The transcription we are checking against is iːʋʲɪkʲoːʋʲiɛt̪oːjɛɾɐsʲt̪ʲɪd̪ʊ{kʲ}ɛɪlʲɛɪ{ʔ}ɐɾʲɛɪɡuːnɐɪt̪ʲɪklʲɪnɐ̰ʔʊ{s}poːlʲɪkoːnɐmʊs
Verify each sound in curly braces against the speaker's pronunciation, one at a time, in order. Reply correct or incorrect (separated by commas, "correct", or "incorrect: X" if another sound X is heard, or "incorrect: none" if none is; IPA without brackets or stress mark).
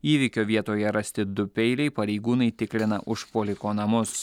incorrect: pʲ, incorrect: p, incorrect: ʃ